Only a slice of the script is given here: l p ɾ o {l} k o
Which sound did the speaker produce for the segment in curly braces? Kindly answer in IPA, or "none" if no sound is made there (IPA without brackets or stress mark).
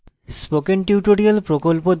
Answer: none